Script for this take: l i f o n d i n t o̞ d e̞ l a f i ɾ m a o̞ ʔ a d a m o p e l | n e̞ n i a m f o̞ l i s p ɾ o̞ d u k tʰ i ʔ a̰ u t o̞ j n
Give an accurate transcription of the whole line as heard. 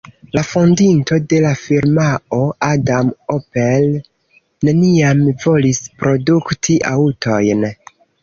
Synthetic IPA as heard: l a f o n d i n t o̞ d e̞ l a f i ɾ m a o̞ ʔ a d a m o p e l | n e̞ n i a m v o̞ l i s p ɾ o̞ d u k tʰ i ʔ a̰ u t o̞ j n